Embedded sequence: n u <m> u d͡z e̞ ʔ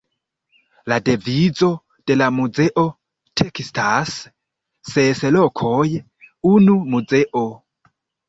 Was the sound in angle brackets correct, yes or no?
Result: yes